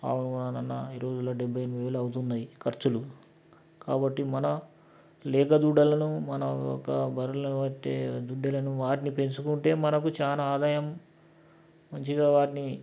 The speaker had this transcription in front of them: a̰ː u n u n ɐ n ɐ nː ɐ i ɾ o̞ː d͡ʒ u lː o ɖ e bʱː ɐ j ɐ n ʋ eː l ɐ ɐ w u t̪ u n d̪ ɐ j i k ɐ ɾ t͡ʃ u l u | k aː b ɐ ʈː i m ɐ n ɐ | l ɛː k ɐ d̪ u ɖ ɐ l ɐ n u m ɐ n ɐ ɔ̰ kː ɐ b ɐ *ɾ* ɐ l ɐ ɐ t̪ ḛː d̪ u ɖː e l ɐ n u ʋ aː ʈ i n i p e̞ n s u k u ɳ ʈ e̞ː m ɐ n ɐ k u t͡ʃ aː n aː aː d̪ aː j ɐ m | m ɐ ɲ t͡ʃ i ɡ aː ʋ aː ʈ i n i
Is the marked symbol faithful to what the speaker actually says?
yes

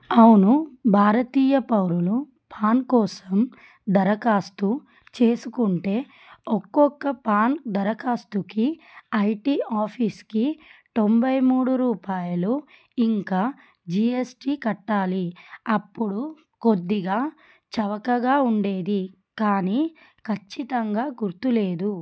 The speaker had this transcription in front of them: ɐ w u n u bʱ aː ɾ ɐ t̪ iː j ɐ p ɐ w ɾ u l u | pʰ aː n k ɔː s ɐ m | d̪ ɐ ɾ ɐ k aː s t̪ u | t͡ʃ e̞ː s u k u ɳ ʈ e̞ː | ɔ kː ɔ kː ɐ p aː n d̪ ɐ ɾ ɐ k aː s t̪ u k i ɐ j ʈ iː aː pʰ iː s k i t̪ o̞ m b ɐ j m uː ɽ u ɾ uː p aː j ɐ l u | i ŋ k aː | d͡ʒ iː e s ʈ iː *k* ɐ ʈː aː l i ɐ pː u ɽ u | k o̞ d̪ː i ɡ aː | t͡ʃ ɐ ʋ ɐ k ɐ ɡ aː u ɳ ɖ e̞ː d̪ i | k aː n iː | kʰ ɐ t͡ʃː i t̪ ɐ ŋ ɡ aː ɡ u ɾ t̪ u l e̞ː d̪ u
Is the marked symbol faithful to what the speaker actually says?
yes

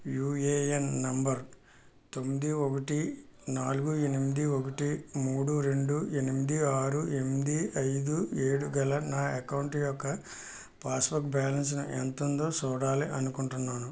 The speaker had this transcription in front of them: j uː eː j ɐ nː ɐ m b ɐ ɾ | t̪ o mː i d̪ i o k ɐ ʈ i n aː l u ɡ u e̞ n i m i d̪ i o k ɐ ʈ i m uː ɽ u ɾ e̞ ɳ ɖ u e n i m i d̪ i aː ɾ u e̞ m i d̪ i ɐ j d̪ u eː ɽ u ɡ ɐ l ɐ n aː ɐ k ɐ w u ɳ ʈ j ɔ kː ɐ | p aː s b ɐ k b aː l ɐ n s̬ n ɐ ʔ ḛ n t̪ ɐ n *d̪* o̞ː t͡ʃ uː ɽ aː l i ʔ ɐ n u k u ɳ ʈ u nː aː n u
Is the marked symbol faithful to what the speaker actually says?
yes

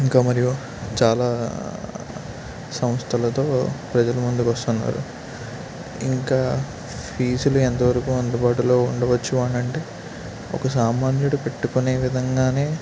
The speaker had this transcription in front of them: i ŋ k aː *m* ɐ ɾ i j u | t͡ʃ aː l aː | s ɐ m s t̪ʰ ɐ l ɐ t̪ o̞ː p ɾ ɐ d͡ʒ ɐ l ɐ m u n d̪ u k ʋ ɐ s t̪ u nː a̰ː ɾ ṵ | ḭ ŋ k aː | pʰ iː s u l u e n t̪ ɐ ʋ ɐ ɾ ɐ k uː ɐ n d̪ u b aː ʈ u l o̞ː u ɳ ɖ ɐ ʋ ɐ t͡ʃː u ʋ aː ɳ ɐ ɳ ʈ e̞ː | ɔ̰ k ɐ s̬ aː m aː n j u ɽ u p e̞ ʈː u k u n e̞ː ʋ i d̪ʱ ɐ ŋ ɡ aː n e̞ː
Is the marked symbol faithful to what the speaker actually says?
yes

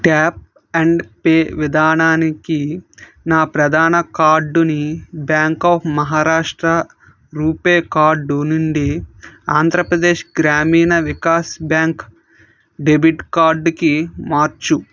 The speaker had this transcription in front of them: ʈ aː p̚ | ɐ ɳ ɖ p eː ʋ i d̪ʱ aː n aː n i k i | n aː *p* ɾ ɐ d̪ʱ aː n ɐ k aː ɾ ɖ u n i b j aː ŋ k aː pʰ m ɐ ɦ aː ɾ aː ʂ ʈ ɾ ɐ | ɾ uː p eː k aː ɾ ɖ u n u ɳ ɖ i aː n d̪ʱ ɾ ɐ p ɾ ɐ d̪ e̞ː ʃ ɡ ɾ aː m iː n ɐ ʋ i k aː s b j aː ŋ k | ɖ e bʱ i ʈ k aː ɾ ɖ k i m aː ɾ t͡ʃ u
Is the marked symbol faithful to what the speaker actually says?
yes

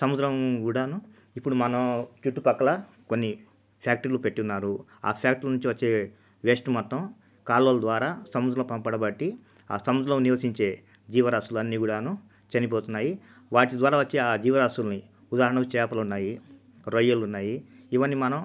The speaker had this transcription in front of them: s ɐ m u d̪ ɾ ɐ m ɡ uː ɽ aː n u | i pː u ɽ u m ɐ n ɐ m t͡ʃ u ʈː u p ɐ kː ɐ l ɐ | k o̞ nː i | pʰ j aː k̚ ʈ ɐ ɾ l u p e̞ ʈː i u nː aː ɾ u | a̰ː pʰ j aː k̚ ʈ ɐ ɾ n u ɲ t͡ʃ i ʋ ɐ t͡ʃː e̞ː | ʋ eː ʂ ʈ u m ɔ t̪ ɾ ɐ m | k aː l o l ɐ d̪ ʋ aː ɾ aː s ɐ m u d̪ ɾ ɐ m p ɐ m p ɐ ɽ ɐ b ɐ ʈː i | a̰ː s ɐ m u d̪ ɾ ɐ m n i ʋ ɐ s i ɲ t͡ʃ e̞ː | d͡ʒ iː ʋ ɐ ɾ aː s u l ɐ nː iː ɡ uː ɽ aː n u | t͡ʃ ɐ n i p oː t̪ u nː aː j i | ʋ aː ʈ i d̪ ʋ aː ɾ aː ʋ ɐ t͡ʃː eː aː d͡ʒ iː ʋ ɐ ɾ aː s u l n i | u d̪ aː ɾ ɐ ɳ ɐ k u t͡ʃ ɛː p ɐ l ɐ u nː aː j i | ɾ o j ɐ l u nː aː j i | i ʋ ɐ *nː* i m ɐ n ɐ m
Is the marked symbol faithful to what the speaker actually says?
yes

